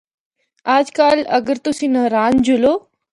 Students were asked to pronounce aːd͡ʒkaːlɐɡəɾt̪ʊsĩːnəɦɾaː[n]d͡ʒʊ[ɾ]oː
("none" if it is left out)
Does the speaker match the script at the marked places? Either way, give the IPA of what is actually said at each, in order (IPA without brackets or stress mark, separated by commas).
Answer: n, l